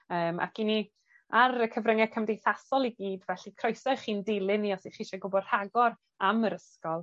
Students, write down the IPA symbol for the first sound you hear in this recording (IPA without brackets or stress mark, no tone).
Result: əː